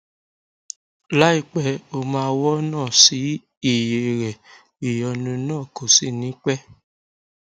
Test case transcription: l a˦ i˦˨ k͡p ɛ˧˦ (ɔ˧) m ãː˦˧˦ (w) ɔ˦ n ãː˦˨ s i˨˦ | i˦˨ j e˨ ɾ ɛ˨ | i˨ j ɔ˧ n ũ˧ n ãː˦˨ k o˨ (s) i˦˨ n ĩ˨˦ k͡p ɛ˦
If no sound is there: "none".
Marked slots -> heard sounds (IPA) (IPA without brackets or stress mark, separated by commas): o˧, w, s